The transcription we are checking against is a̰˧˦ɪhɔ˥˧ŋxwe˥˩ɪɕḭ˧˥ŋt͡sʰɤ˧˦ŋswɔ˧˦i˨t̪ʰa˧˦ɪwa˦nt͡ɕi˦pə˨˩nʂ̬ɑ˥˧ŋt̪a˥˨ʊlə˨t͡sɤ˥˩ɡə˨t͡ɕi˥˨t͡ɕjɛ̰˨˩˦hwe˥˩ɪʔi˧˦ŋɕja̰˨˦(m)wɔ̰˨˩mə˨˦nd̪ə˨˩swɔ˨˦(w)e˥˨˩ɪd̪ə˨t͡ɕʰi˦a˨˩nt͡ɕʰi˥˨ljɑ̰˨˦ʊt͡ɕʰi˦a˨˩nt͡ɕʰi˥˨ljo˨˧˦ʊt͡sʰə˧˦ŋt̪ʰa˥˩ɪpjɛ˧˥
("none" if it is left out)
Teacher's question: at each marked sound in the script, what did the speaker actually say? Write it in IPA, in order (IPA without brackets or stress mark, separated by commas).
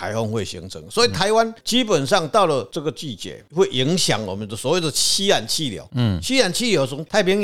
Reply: ŋ, w